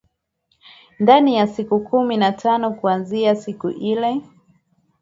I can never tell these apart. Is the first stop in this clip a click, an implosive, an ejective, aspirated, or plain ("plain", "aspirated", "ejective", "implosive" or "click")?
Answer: plain